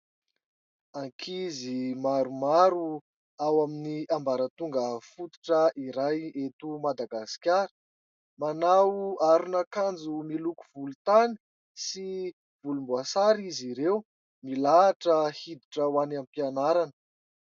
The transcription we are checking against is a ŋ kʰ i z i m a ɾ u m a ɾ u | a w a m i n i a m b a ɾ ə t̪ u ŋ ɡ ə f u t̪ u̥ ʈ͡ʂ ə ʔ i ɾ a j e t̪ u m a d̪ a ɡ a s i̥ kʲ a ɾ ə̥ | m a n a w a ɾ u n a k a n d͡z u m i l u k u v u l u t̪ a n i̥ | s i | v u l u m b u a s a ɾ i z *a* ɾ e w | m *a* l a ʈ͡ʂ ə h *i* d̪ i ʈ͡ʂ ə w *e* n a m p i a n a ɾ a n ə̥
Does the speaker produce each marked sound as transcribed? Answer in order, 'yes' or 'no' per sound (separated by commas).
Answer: no, no, yes, no